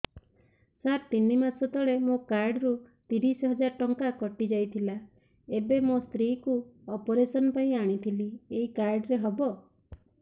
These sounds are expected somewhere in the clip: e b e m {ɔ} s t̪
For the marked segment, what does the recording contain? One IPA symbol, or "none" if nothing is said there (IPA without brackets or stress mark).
o